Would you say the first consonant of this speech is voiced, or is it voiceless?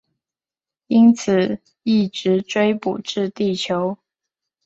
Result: voiced